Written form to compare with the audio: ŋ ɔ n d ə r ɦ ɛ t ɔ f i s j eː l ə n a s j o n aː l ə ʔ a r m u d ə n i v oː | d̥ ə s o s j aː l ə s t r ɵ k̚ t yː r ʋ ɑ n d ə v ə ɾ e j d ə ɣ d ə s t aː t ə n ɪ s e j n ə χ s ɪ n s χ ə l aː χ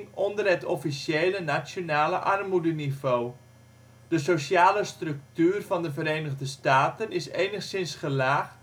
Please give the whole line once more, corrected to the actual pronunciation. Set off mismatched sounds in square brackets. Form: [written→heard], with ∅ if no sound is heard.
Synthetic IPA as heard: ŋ ɔ n d ə r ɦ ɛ t ɔ f i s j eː l ə n a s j o n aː l ə ʔ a r m u d ə n i v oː | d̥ ə s o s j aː l ə s t r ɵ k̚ t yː r [ʋ→v] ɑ n d ə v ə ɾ e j [d→n] ə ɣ d ə s t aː t ə n ɪ s e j n ə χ s ɪ n s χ ə l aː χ